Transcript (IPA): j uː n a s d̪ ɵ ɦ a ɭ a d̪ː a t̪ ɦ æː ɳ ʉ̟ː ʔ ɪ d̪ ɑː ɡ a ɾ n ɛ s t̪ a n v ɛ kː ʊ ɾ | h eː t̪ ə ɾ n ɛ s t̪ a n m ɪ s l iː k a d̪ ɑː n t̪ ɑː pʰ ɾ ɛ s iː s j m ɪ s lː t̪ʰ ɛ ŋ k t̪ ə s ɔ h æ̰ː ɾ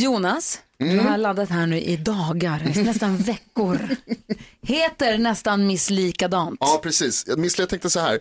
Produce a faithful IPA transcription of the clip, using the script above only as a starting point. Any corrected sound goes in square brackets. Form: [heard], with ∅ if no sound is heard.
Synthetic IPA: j uː n a s d̪ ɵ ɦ a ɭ a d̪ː a t̪ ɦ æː ɳ ʉ̟ː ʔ ɪ d̪ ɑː ɡ a ɾ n ɛ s t̪ a n v ɛ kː ʊ ɾ | h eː t̪ ə ɾ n ɛ s t̪ a n m ɪ s l iː k a d̪ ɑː n t̪ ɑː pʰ ɾ ɛ s iː s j m ɪ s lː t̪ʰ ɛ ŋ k t̪ ə s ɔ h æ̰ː ɾ